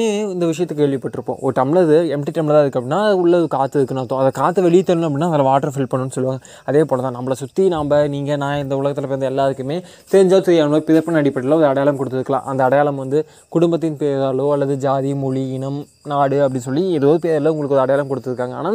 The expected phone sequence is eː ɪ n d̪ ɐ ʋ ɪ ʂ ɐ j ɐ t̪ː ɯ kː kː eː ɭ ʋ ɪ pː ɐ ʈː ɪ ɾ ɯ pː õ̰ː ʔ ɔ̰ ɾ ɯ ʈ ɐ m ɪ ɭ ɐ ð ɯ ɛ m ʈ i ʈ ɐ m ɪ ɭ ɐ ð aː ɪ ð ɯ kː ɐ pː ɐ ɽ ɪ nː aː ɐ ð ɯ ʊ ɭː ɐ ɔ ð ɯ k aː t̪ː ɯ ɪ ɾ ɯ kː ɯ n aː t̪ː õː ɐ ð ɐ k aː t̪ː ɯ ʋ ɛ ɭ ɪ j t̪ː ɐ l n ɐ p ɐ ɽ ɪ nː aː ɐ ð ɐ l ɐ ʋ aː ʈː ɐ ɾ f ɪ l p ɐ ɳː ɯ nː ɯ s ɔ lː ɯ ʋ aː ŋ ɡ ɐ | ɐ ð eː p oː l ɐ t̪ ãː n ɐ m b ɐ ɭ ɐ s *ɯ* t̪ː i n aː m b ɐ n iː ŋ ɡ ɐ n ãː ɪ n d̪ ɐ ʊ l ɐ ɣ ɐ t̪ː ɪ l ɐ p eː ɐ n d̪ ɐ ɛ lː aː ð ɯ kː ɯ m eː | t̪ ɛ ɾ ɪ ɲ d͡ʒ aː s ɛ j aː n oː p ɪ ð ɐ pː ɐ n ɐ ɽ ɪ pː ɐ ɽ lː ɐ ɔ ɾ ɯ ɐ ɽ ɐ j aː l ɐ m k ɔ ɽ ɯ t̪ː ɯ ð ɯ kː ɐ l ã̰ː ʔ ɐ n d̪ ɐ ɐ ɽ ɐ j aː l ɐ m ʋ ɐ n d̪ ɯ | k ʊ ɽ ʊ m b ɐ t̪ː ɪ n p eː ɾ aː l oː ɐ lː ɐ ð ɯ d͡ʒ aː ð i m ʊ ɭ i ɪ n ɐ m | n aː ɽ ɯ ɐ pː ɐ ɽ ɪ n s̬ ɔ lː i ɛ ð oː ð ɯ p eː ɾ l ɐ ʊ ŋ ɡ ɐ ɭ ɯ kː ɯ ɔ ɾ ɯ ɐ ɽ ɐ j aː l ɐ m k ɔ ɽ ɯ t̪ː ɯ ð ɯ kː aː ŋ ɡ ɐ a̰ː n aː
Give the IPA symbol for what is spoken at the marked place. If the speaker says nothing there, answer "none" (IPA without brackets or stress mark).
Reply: ʊ